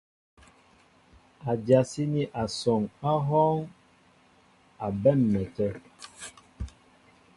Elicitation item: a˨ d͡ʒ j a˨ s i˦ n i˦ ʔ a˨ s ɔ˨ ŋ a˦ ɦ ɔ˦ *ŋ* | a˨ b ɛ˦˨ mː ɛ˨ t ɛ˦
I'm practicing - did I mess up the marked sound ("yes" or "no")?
no